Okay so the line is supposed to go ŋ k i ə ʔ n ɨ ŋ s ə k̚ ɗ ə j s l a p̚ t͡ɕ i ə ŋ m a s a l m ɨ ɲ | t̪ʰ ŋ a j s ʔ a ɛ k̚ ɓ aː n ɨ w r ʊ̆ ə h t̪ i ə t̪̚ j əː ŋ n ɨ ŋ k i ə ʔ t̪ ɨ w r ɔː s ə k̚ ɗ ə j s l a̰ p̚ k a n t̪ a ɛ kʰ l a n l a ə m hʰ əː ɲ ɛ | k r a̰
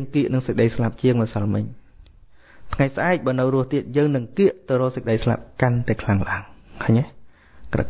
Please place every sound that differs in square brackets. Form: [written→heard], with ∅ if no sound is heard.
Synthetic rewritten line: ŋ k i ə ʔ n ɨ ŋ s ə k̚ ɗ ə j s l a p̚ t͡ɕ i ə ŋ m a s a l m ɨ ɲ | t̪ʰ ŋ a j s ʔ a ɛ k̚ ɓ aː n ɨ w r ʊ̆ ə h t̪ i ə t̪̚ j əː ŋ n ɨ ŋ k i ə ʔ t̪ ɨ w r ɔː s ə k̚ ɗ ə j s l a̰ p̚ k a n t̪ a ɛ kʰ l a [n→ŋ] l a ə [m→ŋ] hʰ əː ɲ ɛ | k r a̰